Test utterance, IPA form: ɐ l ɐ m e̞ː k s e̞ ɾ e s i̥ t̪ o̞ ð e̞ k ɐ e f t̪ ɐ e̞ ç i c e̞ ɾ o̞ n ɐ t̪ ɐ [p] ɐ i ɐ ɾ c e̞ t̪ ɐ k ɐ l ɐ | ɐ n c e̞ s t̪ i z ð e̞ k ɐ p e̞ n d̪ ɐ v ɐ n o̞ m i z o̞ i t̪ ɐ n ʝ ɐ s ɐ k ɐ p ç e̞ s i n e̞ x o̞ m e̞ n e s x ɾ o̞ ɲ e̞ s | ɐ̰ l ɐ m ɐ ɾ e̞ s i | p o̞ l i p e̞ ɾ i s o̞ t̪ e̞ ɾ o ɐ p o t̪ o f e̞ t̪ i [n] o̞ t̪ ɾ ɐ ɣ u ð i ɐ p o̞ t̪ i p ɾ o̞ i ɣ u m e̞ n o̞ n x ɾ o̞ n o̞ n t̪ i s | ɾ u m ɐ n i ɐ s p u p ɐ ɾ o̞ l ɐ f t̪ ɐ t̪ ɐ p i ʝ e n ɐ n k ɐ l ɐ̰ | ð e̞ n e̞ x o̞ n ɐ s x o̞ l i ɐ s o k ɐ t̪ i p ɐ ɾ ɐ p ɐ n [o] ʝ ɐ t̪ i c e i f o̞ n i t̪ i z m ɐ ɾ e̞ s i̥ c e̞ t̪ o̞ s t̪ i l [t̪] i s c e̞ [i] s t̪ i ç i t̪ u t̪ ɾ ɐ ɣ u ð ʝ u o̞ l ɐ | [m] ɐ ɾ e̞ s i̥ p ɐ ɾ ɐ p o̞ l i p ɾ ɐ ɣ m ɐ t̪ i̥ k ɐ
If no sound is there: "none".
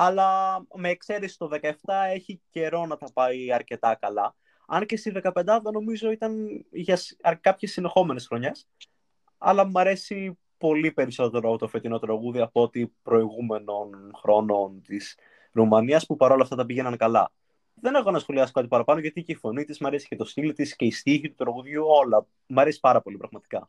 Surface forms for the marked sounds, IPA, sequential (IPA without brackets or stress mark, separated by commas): p, n, o, t̪, i, m